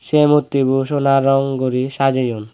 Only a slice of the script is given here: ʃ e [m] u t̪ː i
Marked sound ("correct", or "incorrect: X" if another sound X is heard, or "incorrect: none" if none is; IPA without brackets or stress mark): correct